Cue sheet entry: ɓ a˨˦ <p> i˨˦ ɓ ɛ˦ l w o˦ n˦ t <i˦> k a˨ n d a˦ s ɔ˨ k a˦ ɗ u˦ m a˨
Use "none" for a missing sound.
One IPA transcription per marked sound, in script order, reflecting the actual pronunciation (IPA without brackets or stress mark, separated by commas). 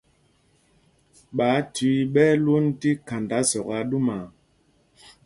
t, i˦